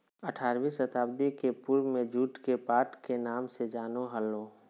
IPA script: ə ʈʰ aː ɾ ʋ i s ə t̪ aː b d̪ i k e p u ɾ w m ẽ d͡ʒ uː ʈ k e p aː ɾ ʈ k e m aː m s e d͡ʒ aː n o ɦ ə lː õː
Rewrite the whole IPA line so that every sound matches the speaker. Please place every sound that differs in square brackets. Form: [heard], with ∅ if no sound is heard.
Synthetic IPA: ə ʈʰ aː ɾ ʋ i s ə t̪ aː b d̪ i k e p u ɾ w m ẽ d͡ʒ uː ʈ k e p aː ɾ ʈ k e [n] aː m s e d͡ʒ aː n o ɦ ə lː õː